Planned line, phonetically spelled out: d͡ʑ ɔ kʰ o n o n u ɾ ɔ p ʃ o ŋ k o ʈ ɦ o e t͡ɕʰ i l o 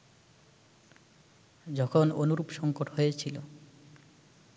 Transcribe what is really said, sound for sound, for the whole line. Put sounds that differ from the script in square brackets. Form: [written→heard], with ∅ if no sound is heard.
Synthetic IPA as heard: d͡ʑ ɔ kʰ o n o n u ɾ [ɔ→u] p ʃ [o→ɔ] ŋ k o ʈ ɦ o e t͡ɕʰ i l o